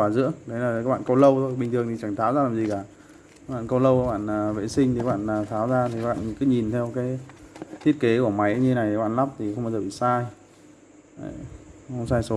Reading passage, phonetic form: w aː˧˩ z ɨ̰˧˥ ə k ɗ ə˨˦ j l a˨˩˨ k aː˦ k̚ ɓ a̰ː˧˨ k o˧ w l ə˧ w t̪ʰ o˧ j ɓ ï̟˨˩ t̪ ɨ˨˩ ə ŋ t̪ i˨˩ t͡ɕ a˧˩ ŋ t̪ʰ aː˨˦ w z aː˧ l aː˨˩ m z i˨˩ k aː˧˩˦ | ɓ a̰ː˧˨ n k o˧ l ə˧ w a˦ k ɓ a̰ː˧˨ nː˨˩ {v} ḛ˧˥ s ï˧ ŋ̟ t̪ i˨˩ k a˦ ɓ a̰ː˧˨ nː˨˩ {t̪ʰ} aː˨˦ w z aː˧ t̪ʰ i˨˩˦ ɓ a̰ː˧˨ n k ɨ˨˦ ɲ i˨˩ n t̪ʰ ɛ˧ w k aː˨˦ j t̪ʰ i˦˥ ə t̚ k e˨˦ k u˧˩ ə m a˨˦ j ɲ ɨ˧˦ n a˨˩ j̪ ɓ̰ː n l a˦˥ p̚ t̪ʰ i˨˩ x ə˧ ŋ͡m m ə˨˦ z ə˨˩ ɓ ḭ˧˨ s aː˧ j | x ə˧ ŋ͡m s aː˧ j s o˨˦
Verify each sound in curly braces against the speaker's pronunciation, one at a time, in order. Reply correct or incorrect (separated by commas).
correct, correct